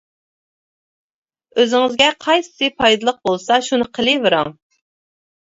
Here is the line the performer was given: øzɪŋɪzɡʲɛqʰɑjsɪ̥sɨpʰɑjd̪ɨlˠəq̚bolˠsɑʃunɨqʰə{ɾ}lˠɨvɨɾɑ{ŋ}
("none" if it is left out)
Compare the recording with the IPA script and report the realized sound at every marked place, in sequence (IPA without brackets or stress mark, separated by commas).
none, ŋ